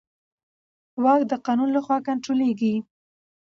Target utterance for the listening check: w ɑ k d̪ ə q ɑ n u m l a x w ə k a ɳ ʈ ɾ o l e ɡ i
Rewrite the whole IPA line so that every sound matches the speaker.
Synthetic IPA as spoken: w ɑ k d̪ ə q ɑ n u n l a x w ɑ k a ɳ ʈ ɾ o l e ɡ i